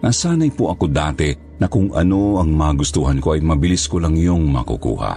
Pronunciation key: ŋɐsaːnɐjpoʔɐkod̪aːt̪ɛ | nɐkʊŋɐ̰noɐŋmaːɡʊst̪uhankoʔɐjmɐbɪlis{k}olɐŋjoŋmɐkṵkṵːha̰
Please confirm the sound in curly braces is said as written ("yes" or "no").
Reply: yes